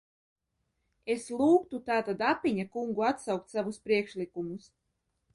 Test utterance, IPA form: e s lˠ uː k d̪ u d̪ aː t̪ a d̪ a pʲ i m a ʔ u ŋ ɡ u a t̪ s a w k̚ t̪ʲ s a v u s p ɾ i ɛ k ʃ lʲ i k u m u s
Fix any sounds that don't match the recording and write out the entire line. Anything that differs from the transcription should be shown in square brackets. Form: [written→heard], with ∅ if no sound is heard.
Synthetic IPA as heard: e s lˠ uː k [d̪→t̪] u [d̪→t̪] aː t̪ a d̪ a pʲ i [m→ɲ] a [ʔ→k] u ŋ ɡ u a t̪ s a w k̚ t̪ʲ s a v u s p ɾ i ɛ k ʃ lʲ i k u m u s